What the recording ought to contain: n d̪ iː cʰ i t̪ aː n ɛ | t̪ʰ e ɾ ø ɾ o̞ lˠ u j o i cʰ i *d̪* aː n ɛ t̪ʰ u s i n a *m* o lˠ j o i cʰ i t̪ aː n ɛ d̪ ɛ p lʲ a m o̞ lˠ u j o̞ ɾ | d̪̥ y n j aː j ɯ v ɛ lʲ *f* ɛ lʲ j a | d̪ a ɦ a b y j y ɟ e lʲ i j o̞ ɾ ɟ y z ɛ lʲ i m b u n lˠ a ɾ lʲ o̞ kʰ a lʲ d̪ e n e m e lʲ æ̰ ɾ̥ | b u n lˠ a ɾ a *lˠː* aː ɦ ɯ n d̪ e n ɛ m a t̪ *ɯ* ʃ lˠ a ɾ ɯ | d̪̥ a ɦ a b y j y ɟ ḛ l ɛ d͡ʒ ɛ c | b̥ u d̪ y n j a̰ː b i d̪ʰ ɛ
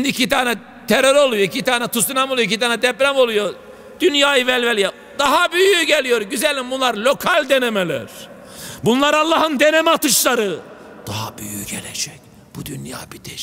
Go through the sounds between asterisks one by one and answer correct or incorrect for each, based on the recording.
incorrect, correct, incorrect, correct, correct

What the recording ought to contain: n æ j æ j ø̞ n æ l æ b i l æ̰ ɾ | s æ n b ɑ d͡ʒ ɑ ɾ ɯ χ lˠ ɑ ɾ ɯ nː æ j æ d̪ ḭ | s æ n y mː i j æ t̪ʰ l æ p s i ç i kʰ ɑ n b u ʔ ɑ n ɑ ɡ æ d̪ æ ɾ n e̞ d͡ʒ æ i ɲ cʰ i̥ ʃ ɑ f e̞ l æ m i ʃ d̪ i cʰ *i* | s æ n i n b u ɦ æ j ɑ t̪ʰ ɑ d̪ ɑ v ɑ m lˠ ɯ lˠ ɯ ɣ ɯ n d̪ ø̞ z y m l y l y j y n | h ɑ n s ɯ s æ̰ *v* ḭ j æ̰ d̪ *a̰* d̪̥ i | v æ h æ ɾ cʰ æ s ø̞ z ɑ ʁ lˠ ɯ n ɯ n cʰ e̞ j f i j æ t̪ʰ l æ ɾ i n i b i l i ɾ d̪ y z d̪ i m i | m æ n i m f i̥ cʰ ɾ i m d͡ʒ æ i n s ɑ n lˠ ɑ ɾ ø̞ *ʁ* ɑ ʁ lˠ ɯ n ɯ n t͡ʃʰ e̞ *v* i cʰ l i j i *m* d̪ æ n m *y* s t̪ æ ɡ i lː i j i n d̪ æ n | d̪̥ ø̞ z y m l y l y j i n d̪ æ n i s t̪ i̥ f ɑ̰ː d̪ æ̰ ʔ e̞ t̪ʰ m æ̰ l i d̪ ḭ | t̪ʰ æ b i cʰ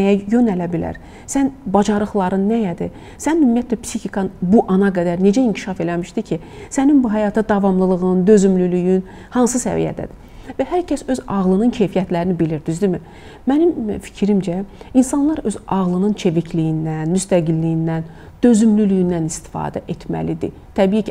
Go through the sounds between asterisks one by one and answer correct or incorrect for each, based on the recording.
correct, correct, incorrect, incorrect, correct, incorrect, correct

